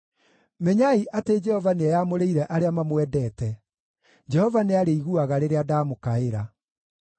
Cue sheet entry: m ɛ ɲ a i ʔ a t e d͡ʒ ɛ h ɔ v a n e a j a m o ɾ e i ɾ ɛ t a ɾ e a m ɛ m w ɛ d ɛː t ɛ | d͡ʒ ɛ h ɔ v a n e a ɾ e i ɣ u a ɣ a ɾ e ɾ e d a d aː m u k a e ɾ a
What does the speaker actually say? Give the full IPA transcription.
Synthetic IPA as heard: m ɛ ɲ a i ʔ a t e d͡ʒ ɛ h ɔ v a n e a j a m o ɾ e i ɾ ɛ ʔ a ɾ e a m a m w ɛ d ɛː t ɛ | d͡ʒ ɛ h ɔ v a n e a ɾ e i ɣ u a ɣ a ɾ e ɾ e a d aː m o k a e ɾ a